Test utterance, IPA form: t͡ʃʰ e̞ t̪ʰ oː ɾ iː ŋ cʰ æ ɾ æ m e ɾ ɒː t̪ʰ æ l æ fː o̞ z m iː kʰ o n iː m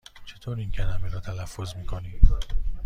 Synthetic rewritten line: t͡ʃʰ e̞ t̪ʰ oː ɾ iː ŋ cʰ æ l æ m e ɾ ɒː t̪ʰ æ l æ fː o̞ z m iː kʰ o n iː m